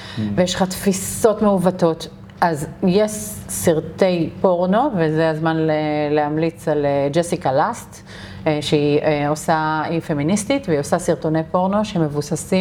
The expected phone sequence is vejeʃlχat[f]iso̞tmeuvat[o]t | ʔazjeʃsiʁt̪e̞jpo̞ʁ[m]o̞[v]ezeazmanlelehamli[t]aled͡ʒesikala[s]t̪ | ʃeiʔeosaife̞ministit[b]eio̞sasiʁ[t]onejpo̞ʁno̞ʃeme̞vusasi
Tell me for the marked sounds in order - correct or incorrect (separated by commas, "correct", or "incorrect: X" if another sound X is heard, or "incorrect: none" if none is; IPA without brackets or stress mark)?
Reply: correct, correct, incorrect: n, correct, incorrect: t͡s, correct, incorrect: v, correct